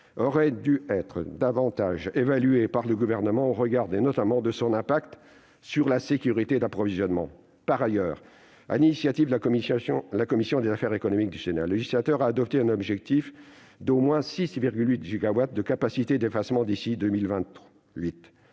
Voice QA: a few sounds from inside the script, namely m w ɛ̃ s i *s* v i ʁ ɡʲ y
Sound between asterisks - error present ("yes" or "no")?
no